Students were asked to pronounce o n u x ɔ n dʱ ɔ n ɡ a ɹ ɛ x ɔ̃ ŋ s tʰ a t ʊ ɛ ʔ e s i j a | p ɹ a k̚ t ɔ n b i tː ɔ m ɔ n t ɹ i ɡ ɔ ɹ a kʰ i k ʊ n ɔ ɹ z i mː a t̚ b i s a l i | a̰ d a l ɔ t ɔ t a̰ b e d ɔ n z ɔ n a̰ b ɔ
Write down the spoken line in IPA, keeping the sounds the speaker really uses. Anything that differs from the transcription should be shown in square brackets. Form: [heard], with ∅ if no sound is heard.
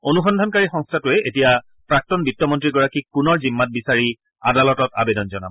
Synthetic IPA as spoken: o n u x ɔ n dʱ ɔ n [k] a ɹ [i] x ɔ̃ ŋ s tʰ a t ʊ ɛ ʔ e [t] i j a | p ɹ a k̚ t ɔ n b i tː ɔ m ɔ n t ɹ i ɡ ɔ ɹ a [k] i k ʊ n ɔ ɹ z i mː a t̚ b i s a [ɹ] i | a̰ d a l ɔ t ɔ t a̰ b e d ɔ n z ɔ n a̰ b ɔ